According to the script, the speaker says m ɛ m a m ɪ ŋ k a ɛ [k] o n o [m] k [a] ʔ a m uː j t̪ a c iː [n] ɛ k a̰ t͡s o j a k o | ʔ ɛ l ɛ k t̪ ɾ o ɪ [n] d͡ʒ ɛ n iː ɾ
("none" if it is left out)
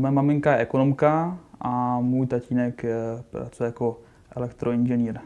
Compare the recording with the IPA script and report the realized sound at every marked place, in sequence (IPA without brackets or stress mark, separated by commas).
k, m, a, n, n